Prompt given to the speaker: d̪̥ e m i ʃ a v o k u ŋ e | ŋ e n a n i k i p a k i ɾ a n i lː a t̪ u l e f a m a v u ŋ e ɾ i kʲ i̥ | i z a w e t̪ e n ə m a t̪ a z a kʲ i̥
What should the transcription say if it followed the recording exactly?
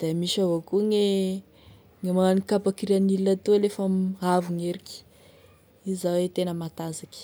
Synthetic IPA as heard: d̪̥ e m i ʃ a v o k u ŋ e | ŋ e m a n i k a p a k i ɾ a n i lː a t̪ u l e f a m a v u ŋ e ɾ i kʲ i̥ | i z a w e t̪ e n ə m a t̪ a z a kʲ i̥